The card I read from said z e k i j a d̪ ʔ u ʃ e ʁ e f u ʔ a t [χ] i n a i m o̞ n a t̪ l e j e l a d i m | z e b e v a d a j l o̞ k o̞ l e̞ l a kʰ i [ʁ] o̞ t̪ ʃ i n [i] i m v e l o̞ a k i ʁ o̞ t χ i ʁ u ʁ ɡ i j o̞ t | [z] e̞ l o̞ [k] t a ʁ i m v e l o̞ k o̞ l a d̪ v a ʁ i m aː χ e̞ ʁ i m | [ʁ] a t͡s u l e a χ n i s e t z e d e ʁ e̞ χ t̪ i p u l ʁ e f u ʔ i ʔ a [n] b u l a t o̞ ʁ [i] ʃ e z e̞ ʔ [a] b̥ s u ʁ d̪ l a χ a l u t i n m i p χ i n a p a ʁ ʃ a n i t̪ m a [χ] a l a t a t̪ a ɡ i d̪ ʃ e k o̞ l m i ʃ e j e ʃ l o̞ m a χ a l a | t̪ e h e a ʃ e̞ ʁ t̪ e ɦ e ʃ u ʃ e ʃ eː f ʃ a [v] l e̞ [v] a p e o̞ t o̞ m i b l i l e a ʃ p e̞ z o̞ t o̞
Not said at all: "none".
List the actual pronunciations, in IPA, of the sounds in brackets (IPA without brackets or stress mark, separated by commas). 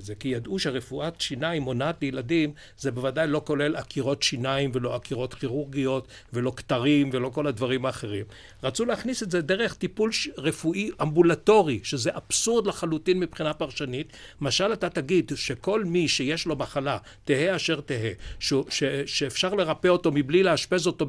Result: ʃ, ʁ, a, v, k, ʁ, m, i, a, ʃ, ʁ, ʁ